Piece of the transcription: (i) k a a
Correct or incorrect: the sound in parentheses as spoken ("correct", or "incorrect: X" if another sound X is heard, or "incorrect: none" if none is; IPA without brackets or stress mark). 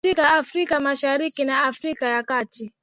correct